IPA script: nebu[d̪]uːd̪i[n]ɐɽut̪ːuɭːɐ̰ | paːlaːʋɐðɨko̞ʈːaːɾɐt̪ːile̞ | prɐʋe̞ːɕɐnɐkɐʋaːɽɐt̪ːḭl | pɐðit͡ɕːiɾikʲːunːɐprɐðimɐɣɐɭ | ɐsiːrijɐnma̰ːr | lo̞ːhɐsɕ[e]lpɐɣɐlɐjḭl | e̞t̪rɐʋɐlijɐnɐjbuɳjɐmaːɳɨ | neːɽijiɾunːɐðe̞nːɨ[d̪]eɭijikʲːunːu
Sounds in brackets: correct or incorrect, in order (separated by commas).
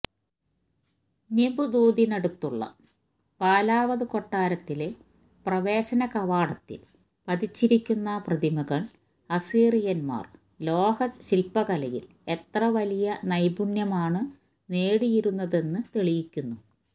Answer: correct, correct, incorrect, incorrect